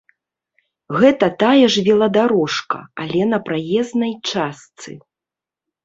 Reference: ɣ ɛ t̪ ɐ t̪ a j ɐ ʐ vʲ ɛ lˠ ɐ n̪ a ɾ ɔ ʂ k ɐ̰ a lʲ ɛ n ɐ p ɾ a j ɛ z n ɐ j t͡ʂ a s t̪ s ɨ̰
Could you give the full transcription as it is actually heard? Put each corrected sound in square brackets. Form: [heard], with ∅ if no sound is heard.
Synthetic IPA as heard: ɣ ɛ t̪ ɐ t̪ a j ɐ ʐ vʲ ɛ lˠ ɐ [d̪] a ɾ ɔ ʂ k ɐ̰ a lʲ ɛ n ɐ p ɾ a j ɛ z n ɐ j t͡ʂ a s t̪ s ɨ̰

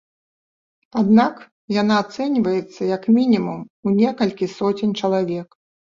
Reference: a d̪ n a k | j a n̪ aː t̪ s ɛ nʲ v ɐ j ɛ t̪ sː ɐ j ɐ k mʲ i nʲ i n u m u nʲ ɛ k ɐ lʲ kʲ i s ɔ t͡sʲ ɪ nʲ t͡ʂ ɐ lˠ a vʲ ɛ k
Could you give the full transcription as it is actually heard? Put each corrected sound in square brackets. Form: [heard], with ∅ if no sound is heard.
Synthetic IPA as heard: a d̪ n a k | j a n̪ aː t̪ s ɛ nʲ v ɐ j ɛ t̪ sː ɐ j ɐ k mʲ i nʲ i [m] u m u nʲ ɛ k ɐ lʲ kʲ i s ɔ t͡sʲ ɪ nʲ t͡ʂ ɐ lˠ a vʲ ɛ k

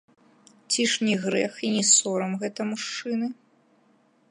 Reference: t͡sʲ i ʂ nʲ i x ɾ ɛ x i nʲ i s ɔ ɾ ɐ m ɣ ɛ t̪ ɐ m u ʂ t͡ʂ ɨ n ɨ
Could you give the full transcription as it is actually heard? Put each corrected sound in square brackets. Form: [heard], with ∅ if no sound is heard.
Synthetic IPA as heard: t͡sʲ i ʂ nʲ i [ɣ] ɾ ɛ x i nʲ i s ɔ ɾ ɐ m ɣ ɛ t̪ ɐ m u ʂ t͡ʂ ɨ n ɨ

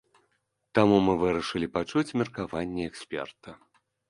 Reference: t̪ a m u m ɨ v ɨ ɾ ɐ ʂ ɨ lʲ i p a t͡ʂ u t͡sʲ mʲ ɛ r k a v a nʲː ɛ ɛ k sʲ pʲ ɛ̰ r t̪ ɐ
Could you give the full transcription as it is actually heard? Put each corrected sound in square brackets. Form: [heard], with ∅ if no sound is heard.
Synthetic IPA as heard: t̪ a m u m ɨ v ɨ ɾ ɐ ʂ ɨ lʲ i p a t͡ʂ u t͡sʲ mʲ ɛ r k a v a nʲː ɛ ɛ k sʲ pʲ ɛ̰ r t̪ ɐ

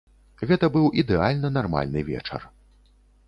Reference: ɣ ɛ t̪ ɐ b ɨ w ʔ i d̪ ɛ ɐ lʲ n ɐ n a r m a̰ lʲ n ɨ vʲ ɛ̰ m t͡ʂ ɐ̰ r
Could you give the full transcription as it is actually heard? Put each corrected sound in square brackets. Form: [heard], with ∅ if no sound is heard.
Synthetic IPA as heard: ɣ ɛ t̪ ɐ b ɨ w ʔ i d̪ ɛ [a] lʲ n ɐ n a r m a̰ lʲ n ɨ vʲ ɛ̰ [∅] t͡ʂ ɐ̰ r

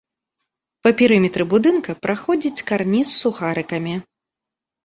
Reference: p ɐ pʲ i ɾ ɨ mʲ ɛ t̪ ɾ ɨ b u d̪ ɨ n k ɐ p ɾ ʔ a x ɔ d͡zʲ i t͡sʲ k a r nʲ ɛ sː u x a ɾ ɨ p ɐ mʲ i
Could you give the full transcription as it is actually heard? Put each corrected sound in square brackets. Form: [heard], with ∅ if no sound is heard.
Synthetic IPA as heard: p ɐ pʲ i ɾ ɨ mʲ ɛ t̪ ɾ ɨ b u d̪ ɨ n k ɐ p ɾ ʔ a x ɔ d͡zʲ i t͡sʲ k a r nʲ [i] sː u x a ɾ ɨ [k] ɐ mʲ i

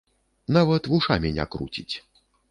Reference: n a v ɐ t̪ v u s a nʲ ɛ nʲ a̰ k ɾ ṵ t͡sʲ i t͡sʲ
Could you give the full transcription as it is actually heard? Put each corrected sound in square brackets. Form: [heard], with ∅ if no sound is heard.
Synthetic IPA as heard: n a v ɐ t̪ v u [ʂ] a [mʲ] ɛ nʲ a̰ k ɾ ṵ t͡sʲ i t͡sʲ

